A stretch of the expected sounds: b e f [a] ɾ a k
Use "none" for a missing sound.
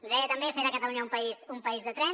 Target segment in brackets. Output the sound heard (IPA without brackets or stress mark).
e